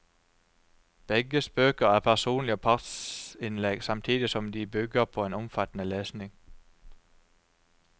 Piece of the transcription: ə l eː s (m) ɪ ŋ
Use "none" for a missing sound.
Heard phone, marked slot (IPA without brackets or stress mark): n